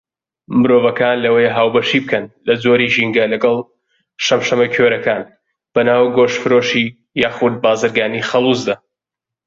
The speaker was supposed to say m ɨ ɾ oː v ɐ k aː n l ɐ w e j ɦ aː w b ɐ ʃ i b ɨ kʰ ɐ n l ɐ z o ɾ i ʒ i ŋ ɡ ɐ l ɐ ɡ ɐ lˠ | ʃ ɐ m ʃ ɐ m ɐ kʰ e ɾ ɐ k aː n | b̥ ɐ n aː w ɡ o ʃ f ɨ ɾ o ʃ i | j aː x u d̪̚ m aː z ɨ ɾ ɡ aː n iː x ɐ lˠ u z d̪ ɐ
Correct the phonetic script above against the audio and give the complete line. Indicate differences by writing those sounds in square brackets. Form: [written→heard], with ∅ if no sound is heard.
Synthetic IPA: m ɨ ɾ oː v ɐ k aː n l ɐ w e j ɦ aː w b ɐ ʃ i b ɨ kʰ ɐ n l ɐ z o ɾ i ʒ i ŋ ɡ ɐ l ɐ ɡ ɐ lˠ | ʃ ɐ m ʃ ɐ m ɐ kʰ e ɾ ɐ k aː n | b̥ ɐ n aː w ɡ o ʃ f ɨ ɾ o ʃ i | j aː x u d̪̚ [m→b] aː z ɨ ɾ ɡ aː n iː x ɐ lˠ u z d̪ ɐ